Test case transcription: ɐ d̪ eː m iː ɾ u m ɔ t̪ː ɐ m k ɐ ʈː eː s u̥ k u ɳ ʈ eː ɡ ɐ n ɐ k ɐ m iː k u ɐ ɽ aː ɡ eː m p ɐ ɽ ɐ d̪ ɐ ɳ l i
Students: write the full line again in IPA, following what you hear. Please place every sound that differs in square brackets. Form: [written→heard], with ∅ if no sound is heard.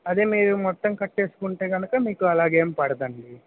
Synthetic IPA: ɐ d̪ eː m iː ɾ u m ɔ t̪ː ɐ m k ɐ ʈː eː s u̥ k u ɳ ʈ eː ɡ ɐ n ɐ k ɐ m iː k u ɐ [ɽ→l] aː ɡ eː m p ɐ ɽ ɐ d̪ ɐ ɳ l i